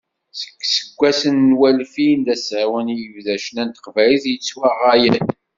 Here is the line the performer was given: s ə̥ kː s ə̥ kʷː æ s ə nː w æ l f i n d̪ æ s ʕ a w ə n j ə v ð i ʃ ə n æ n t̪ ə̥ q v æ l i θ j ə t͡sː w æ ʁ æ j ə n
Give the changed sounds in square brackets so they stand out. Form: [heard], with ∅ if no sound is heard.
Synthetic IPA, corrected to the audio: s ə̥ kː s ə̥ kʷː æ s ə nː w æ l f i n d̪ æ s ʕ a w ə n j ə v ð [æ] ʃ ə n æ n t̪ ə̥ q v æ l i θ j ə t͡sː w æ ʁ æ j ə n